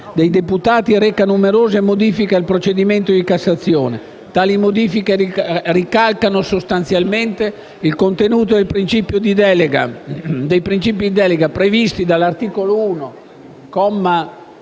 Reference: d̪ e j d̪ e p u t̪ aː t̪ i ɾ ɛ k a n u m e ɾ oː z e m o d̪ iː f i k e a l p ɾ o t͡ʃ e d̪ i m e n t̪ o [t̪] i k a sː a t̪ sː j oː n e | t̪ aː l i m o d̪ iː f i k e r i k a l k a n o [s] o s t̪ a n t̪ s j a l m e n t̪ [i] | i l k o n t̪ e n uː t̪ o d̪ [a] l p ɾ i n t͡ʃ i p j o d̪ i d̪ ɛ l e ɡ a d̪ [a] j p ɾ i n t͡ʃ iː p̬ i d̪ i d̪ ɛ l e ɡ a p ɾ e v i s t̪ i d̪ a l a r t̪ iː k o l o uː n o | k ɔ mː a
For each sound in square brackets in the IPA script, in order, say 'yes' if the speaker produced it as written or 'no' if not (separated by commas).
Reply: no, yes, no, no, no